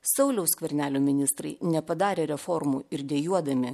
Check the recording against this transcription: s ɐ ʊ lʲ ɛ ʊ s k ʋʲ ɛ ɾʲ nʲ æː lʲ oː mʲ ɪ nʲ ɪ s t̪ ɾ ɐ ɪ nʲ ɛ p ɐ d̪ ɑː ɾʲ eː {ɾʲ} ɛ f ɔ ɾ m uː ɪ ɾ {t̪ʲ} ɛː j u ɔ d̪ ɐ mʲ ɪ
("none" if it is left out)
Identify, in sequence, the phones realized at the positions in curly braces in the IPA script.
ɾʲ, d̪ʲ

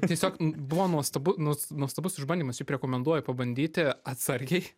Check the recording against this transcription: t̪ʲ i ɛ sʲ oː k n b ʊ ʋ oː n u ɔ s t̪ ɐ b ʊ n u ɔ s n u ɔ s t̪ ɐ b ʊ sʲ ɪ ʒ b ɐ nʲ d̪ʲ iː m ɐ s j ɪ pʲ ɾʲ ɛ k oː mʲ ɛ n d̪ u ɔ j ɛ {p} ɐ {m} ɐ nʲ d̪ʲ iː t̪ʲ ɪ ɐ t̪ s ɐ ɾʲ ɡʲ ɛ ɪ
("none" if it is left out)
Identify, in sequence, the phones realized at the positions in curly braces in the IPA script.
p, b

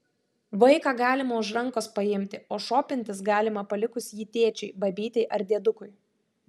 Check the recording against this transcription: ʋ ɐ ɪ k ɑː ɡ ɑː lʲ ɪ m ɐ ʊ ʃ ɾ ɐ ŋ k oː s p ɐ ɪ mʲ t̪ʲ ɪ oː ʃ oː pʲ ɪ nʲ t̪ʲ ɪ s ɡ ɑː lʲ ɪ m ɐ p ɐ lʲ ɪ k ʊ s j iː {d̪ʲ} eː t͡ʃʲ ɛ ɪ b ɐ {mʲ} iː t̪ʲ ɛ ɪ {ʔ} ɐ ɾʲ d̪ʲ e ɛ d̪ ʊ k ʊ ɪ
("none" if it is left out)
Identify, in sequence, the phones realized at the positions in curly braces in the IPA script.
t̪ʲ, bʲ, ʔ

